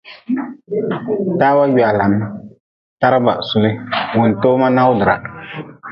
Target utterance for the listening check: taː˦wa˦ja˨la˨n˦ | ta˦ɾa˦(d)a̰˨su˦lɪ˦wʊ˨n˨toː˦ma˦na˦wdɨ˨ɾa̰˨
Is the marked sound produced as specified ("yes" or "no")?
no